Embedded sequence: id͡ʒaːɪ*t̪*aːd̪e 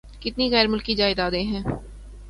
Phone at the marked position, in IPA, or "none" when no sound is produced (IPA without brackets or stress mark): d̪